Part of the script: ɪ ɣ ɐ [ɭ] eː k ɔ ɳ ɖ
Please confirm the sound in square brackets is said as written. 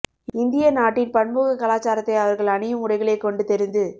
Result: yes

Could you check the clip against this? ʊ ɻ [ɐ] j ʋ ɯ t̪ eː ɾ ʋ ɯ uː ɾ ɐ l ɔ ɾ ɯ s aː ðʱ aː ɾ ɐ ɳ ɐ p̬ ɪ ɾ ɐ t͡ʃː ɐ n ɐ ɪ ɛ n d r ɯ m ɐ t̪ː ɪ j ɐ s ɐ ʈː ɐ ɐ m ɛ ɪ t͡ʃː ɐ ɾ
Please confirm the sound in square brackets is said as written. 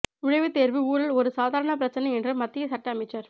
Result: yes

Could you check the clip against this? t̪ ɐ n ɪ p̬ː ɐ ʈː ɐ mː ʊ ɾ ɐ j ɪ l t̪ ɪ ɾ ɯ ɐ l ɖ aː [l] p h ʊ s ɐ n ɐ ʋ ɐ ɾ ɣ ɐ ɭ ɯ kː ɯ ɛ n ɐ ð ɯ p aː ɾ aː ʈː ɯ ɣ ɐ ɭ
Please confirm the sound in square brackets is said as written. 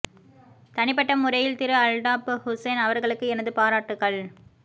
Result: no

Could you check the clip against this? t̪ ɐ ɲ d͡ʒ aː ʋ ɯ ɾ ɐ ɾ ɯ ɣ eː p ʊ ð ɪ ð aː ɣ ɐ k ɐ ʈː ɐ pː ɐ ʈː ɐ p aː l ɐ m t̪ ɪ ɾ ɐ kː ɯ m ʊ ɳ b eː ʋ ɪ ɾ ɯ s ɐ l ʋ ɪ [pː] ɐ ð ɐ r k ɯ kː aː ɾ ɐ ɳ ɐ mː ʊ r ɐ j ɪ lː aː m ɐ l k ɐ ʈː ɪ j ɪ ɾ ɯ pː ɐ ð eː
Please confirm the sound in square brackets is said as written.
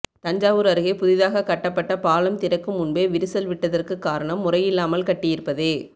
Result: no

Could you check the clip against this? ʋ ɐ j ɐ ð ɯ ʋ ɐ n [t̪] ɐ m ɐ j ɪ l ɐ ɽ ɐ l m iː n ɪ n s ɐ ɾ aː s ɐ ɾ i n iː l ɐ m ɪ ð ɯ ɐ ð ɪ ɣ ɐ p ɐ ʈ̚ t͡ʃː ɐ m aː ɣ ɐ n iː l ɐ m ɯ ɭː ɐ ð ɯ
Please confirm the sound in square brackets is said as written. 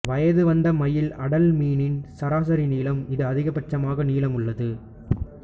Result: no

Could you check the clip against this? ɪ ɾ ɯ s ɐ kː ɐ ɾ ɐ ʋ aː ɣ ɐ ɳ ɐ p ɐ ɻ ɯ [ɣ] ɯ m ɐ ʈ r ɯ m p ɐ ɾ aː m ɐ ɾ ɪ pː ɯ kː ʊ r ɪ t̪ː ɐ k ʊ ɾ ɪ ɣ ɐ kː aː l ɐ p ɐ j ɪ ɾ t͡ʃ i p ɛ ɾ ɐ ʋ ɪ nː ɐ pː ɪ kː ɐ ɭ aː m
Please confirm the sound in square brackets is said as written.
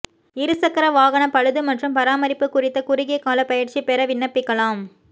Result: no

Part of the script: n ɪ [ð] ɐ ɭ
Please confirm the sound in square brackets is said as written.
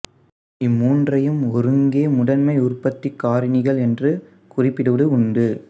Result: no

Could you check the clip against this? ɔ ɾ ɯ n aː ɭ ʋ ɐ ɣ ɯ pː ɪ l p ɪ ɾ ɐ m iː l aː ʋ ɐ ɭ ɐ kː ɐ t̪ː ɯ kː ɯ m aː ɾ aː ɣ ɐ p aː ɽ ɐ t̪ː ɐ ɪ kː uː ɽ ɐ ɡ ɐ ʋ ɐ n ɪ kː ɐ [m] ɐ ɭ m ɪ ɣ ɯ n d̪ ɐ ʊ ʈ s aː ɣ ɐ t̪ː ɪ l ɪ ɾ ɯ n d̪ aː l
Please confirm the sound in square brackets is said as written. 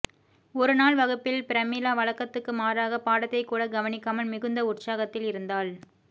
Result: yes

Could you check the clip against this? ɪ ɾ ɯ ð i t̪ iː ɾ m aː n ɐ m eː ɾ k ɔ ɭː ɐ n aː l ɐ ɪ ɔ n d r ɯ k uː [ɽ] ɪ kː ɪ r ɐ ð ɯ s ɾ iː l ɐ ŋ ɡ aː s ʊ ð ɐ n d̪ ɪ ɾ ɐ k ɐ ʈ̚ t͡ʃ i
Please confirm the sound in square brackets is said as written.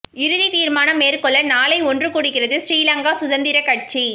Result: yes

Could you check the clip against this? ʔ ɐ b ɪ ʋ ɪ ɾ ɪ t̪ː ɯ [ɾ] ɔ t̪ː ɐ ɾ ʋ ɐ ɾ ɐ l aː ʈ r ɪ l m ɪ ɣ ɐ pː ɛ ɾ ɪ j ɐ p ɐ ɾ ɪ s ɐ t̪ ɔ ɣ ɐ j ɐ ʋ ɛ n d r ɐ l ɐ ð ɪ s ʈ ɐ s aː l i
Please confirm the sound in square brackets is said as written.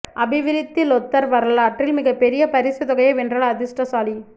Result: no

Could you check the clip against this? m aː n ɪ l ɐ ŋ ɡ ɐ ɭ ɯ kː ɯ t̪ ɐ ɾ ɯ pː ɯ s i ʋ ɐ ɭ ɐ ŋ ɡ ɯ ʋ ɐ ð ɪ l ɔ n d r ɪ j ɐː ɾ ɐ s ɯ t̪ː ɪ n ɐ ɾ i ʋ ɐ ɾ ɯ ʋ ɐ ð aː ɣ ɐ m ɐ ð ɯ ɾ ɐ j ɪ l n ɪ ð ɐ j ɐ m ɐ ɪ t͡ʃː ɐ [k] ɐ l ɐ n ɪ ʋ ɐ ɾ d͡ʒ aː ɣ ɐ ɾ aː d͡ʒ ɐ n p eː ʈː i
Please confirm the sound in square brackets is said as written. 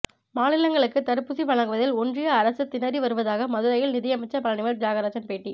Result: no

